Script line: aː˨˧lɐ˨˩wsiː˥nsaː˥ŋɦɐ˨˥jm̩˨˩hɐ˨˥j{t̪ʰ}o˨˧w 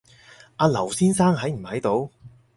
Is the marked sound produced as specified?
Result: no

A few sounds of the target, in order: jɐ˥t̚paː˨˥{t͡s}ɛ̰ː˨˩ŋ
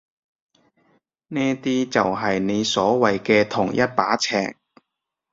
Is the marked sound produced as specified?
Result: no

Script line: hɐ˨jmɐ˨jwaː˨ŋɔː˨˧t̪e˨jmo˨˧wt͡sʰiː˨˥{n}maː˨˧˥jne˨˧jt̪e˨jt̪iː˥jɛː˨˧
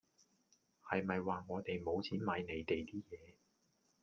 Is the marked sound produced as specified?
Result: yes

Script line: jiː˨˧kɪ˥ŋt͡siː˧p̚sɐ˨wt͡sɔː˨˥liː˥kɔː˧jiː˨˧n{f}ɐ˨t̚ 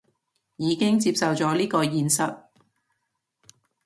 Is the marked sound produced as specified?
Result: no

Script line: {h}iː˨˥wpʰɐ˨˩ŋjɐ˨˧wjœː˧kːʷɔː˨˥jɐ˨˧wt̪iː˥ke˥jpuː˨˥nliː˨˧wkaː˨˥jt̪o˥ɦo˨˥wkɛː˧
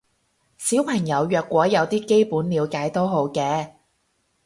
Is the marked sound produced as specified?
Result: no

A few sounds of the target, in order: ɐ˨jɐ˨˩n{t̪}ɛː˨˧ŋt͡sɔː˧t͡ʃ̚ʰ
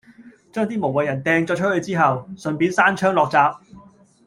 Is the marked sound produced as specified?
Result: yes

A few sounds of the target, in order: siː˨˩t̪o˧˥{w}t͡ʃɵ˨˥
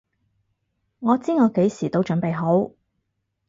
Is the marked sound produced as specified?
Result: yes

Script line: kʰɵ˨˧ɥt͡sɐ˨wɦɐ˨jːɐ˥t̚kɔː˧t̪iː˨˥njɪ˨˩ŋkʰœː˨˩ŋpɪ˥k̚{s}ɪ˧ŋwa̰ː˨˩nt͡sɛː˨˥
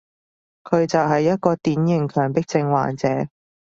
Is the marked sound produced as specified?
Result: no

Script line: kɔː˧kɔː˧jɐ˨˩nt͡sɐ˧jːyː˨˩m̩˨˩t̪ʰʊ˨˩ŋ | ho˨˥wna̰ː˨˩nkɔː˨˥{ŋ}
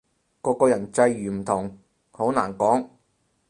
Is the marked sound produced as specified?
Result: yes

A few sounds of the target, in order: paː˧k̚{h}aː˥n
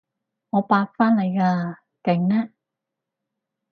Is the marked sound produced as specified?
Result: no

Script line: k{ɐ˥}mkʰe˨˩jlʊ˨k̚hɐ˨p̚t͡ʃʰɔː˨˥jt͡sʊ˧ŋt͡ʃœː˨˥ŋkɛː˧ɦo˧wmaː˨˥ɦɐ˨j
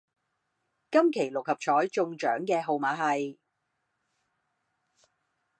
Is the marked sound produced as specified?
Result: yes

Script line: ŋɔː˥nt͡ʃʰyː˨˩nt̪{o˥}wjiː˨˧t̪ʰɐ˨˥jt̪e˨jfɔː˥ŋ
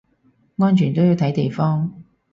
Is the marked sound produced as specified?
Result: yes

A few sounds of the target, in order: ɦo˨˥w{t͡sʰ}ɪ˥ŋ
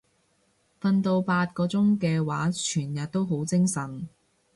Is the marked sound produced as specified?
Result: no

